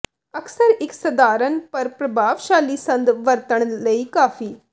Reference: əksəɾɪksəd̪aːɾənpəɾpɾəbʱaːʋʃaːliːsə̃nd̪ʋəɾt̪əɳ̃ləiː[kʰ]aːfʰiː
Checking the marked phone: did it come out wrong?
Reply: yes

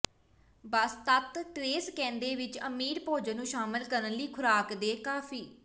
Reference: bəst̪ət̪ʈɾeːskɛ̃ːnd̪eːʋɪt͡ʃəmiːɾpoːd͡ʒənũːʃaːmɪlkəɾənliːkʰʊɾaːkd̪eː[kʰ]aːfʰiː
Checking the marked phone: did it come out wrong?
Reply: yes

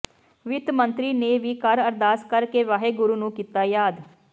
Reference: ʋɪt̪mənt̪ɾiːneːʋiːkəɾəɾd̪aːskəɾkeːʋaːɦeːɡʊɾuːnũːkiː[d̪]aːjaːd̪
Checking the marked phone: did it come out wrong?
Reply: yes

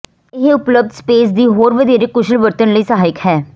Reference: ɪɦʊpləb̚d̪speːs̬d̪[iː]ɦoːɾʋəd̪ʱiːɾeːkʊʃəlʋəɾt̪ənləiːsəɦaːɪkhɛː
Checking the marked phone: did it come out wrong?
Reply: no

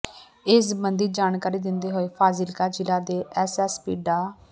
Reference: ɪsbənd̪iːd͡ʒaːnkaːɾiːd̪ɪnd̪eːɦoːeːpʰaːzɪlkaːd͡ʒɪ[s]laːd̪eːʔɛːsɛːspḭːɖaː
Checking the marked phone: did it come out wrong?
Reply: yes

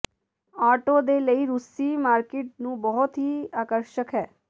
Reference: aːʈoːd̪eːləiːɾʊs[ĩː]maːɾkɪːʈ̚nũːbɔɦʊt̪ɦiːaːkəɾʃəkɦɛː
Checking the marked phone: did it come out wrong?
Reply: yes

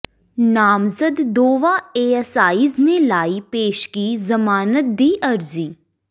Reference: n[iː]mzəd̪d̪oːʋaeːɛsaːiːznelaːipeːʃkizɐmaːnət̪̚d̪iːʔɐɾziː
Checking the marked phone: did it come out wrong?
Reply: yes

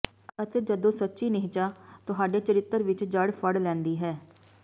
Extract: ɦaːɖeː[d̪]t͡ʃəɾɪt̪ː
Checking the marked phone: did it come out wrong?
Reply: yes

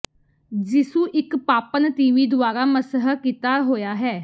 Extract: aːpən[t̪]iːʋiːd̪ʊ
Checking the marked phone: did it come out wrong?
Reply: no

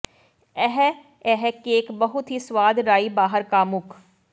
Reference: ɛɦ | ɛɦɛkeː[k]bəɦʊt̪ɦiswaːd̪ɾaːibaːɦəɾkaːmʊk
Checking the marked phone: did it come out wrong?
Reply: no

